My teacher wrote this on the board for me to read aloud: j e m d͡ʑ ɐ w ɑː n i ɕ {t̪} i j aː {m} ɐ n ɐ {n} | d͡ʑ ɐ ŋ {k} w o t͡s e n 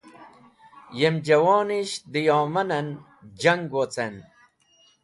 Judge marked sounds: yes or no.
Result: no, yes, yes, no

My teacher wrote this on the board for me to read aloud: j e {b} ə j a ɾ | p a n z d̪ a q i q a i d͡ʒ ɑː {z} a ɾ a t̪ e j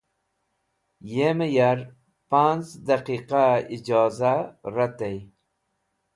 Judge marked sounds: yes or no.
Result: no, yes

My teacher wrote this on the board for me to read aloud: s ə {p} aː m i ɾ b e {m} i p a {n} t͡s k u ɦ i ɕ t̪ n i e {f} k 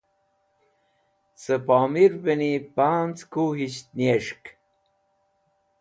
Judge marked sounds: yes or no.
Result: yes, no, yes, no

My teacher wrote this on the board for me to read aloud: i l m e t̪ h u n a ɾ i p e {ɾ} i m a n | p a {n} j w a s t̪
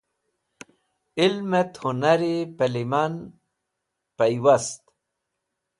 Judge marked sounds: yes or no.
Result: no, no

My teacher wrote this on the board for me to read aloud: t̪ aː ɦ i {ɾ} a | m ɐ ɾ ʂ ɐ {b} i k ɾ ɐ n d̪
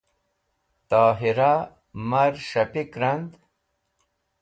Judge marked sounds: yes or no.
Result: yes, no

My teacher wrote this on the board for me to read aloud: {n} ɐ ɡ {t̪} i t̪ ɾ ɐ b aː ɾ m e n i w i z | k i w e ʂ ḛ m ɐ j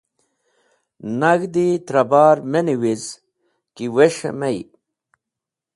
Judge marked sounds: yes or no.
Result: yes, no

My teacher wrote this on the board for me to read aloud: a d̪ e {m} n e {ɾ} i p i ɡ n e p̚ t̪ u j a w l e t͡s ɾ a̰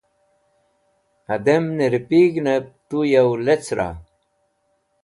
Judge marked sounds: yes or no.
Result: yes, yes

